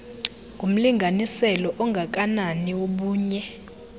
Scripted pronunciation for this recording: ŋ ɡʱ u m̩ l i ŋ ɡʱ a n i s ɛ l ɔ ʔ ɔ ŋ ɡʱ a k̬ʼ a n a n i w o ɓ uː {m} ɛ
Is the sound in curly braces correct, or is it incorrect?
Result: incorrect: ɲ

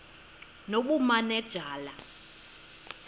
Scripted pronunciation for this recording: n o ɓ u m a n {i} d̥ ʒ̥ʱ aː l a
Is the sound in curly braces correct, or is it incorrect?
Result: incorrect: ɛ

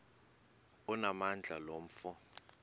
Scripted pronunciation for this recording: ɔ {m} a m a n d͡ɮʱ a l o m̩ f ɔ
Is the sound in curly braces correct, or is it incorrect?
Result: incorrect: n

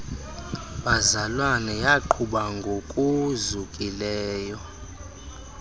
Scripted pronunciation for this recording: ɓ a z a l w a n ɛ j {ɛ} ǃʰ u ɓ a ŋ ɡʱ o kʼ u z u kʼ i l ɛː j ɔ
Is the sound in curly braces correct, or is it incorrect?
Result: incorrect: a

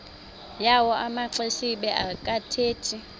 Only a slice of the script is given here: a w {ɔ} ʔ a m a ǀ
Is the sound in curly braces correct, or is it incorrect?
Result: correct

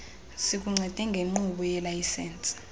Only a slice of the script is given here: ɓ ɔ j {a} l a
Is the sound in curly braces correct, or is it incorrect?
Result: incorrect: ɛ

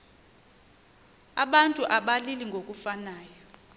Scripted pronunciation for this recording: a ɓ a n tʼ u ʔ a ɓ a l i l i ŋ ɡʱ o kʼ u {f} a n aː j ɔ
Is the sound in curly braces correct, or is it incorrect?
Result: correct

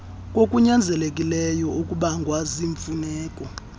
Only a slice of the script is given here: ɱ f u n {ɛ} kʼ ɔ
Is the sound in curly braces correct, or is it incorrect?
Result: incorrect: ɛː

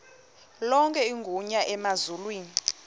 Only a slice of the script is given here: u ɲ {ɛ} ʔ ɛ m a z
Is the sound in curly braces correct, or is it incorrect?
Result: incorrect: a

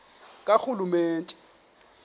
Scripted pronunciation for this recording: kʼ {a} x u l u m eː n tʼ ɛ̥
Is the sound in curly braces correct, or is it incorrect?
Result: correct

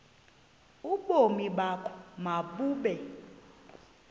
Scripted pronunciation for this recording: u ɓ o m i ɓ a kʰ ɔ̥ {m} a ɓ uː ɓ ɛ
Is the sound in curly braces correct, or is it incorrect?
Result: correct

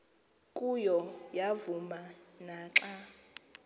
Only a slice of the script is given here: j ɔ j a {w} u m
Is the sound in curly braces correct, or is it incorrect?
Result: incorrect: v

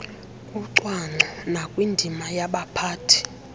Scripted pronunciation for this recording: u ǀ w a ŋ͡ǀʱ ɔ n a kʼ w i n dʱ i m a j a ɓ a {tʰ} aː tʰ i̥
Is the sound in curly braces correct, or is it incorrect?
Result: incorrect: pʰ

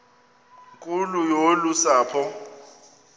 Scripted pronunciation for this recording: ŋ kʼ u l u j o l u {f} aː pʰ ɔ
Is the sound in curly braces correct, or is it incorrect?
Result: incorrect: s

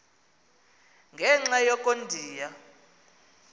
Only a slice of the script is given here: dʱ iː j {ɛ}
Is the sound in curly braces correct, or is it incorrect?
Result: incorrect: a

